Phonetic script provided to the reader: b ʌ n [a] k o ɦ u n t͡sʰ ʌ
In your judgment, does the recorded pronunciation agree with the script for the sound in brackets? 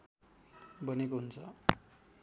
no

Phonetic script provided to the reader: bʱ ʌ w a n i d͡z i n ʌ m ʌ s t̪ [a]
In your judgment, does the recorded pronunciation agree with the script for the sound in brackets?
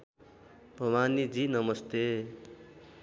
no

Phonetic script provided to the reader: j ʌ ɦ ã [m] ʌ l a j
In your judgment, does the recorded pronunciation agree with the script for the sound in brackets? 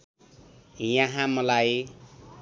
yes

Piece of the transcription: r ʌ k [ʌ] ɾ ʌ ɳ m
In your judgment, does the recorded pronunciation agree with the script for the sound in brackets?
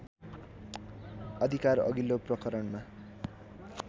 yes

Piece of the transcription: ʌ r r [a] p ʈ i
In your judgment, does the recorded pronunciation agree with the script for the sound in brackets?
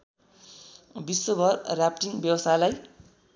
yes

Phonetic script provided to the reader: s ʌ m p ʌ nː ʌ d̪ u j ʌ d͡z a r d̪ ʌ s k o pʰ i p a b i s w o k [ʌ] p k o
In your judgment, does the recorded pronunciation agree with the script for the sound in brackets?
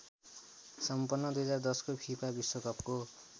yes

